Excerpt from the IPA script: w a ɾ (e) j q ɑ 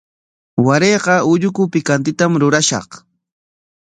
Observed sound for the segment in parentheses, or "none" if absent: e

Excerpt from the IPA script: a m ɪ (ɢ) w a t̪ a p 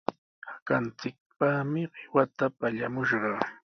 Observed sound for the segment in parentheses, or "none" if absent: ɢ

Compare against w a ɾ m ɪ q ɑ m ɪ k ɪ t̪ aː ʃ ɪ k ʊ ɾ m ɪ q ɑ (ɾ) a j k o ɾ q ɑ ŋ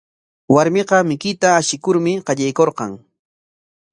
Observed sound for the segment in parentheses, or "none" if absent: ʎ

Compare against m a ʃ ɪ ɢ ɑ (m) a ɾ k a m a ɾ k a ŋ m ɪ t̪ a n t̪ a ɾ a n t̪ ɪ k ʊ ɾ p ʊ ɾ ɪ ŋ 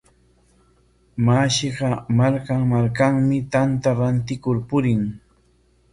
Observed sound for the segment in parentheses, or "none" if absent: m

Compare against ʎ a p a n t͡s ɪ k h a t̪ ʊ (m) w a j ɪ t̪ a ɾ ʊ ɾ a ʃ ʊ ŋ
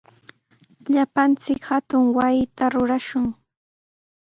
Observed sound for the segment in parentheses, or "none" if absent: ŋ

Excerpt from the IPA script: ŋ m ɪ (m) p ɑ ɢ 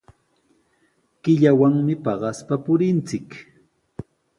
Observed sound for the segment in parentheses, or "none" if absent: none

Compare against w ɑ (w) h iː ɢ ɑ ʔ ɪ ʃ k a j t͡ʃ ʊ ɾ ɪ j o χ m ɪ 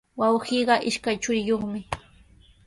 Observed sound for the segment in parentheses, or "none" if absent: w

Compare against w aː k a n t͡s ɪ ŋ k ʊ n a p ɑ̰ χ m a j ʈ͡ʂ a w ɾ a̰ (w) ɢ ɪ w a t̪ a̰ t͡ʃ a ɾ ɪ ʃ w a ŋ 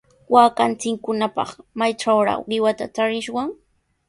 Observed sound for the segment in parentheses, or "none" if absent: w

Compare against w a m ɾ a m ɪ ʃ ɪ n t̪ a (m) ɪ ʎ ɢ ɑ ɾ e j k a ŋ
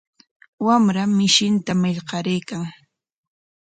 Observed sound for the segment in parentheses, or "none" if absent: m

